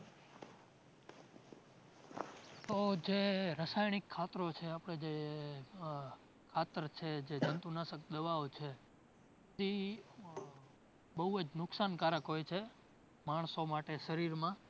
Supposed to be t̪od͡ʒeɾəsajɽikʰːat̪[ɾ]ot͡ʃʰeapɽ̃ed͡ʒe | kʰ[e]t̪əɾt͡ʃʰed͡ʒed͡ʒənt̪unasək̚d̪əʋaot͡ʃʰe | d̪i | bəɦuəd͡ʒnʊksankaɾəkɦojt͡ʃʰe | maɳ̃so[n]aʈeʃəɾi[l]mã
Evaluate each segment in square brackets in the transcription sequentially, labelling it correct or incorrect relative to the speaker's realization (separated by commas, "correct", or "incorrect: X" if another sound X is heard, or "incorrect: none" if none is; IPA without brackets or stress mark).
correct, incorrect: a, incorrect: m, incorrect: ɾ